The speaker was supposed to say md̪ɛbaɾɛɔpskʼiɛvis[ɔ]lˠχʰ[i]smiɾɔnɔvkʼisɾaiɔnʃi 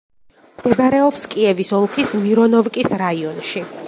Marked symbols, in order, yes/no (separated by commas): yes, yes